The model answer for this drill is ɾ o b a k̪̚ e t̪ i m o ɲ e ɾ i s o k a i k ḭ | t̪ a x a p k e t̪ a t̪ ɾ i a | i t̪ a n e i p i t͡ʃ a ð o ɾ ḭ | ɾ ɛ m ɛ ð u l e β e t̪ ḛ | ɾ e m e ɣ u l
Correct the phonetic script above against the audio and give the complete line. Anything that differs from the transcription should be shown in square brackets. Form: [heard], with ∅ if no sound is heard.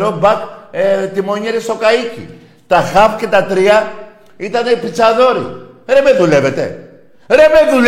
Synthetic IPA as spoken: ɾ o b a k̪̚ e t̪ i m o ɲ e ɾ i s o k a i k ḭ | t̪ a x a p k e t̪ a t̪ ɾ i a | i t̪ a n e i p i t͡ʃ a ð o ɾ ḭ | ɾ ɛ m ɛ ð u l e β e t̪ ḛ | ɾ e m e [ð] u l